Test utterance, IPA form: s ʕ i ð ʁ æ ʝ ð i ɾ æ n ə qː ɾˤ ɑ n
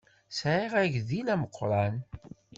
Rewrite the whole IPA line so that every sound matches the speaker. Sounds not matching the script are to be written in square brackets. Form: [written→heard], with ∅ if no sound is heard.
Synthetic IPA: s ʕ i [ð→∅] ʁ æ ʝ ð i [ɾ→l] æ [n→m] ə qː ɾˤ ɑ n